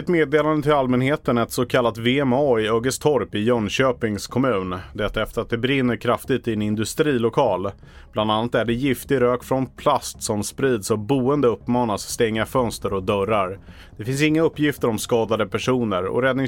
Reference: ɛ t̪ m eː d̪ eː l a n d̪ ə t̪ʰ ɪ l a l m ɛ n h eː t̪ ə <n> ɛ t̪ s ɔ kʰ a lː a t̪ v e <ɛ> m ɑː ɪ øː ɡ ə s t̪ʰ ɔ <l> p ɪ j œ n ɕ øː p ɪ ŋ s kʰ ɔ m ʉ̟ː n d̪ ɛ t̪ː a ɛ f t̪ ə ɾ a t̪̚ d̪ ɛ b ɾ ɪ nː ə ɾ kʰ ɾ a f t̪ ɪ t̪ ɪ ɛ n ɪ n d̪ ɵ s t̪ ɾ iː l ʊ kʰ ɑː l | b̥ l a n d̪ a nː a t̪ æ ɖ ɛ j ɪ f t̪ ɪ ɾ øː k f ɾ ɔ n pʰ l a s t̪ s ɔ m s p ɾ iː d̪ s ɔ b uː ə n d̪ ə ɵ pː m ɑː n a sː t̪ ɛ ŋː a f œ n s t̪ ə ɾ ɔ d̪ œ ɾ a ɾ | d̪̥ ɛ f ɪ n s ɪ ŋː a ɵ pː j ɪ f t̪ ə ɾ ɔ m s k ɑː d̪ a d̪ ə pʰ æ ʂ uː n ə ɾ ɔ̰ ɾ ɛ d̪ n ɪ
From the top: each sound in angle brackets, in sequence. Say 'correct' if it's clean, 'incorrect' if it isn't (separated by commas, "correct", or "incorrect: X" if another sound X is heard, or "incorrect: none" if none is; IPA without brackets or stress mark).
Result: correct, correct, incorrect: ɾ